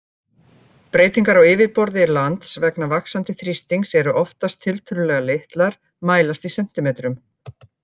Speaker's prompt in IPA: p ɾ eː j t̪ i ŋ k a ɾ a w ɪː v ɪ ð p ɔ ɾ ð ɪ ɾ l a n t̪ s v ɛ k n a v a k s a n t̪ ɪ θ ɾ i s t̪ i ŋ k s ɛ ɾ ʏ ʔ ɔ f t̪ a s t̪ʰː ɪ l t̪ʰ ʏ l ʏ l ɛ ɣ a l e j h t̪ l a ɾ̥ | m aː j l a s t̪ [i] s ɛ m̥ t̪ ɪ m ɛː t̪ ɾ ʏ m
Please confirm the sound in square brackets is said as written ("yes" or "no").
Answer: yes